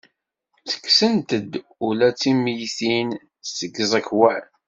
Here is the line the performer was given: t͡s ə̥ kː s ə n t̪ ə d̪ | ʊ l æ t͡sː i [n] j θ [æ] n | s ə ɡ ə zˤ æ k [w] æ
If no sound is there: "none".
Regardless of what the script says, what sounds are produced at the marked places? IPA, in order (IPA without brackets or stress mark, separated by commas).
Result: m, i, w